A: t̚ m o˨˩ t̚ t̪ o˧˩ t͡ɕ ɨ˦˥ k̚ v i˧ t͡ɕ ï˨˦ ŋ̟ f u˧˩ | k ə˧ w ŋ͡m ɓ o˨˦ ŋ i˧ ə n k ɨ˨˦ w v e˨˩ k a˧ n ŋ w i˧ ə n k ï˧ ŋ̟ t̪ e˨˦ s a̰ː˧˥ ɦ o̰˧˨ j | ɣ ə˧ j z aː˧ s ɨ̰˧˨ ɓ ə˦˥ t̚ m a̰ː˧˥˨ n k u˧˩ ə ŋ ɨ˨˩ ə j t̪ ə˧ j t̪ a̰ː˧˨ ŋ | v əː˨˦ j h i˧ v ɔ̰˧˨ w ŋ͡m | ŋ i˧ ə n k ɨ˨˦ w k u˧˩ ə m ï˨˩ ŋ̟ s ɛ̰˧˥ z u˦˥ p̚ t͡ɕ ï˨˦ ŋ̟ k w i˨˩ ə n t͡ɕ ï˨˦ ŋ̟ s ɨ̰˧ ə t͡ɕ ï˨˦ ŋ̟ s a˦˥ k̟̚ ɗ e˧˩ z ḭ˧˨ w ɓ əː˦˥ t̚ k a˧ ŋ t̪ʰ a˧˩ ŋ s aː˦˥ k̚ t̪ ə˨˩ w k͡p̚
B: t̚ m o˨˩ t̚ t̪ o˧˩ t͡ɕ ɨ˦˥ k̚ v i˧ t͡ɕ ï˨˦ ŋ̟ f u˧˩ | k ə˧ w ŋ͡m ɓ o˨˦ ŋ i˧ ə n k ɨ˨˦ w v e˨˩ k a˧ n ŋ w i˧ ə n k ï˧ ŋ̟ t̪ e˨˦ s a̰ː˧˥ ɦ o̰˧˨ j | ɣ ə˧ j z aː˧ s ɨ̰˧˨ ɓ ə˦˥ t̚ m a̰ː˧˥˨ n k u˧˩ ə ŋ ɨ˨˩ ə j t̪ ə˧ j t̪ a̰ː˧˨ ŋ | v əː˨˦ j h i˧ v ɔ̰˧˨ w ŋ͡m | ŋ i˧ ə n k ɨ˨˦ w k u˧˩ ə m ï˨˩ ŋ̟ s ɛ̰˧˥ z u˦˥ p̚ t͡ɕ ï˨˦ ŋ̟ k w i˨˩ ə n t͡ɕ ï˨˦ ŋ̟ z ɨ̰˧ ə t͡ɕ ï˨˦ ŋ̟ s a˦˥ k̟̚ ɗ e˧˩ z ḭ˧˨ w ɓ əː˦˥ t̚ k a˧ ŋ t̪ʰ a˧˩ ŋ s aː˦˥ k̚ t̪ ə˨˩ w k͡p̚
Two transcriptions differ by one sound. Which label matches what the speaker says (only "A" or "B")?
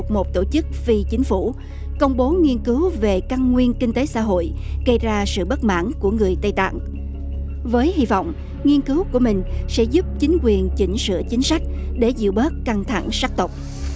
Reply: A